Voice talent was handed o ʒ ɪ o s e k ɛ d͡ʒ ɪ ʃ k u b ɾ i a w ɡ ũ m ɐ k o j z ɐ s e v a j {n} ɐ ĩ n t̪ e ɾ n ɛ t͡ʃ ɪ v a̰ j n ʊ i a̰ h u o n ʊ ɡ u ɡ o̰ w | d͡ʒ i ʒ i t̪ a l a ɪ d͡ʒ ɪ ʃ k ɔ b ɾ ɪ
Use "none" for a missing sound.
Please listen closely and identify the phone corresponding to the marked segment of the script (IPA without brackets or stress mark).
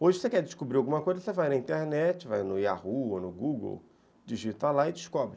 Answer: n